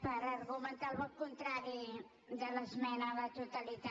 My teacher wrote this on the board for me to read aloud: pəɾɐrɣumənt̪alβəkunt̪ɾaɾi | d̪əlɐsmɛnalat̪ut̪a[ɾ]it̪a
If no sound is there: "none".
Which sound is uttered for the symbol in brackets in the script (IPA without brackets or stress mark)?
l